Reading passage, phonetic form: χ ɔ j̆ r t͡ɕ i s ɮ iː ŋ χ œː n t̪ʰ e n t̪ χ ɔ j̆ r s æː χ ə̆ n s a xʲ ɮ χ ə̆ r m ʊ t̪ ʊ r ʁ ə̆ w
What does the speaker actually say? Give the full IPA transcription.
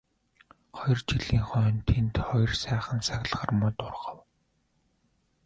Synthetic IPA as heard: χ ɔ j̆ r t͡ɕ i ɮ iː ŋ χ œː n t̪ʰ e n t̪ χ ɔ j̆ r s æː χ ə̆ n s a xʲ ɮ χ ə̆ r m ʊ t̪ ʊ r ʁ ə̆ w